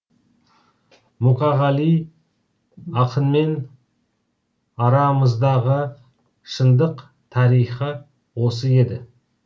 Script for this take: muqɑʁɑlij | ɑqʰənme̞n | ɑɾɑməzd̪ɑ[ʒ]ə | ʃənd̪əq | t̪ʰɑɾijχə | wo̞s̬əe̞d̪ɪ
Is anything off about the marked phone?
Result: yes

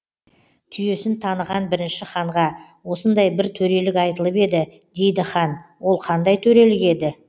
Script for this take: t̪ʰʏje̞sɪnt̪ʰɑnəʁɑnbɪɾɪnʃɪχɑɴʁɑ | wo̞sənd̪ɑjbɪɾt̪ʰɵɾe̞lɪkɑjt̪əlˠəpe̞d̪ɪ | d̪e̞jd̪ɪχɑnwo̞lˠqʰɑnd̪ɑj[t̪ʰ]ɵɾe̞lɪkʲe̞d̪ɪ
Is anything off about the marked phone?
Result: no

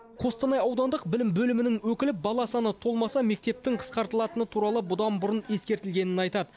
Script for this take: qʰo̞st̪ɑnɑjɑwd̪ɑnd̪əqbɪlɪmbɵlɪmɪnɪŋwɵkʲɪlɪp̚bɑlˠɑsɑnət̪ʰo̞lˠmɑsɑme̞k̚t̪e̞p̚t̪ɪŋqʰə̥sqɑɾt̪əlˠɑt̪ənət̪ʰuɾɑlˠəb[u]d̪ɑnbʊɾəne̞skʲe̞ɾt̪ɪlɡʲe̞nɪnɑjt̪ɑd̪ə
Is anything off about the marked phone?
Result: yes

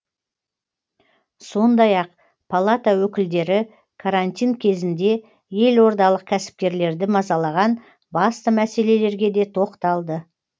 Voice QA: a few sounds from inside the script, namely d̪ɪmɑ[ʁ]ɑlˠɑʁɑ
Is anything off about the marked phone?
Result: yes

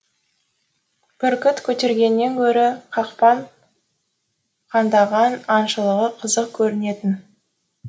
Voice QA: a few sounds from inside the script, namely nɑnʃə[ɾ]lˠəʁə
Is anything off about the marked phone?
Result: yes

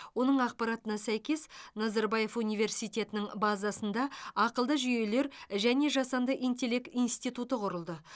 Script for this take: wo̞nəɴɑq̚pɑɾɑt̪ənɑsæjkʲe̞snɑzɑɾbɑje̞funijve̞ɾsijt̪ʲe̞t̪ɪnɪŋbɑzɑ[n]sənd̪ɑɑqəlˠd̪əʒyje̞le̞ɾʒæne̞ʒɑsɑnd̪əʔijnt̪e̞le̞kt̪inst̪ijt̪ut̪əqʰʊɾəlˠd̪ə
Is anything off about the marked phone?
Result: yes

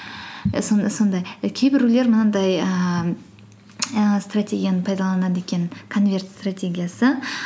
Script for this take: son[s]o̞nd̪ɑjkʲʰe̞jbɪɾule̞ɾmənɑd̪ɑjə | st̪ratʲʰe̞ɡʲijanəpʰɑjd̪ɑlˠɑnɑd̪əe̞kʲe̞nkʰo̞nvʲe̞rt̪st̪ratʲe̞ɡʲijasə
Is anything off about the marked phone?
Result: no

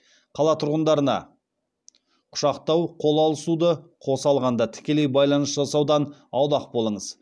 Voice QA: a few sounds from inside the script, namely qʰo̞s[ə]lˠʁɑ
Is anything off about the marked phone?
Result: yes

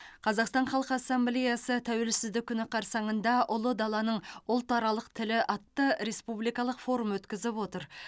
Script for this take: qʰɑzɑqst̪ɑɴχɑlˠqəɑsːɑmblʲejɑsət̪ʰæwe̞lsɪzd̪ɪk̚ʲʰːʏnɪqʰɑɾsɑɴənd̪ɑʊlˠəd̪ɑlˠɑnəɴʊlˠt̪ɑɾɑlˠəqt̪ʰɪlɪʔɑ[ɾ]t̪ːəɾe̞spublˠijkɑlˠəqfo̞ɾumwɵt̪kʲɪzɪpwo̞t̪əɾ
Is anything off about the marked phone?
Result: yes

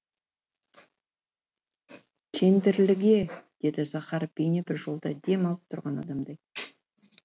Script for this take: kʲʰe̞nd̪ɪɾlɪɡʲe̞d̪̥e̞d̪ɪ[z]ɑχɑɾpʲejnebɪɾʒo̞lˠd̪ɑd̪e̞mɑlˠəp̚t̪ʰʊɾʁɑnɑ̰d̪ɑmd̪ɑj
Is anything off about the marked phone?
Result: yes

